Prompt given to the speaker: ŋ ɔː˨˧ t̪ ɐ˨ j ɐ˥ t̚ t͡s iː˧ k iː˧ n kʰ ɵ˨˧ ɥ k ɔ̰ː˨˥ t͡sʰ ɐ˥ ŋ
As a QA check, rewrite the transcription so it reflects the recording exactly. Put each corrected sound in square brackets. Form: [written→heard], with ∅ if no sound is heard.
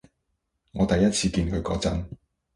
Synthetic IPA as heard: ŋ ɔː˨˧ t̪ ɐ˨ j ɐ˥ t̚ [t͡s→t͡sʰ] iː˧ k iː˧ n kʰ ɵ˨˧ ɥ k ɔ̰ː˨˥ [t͡sʰ→t͡s] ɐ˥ [ŋ→n]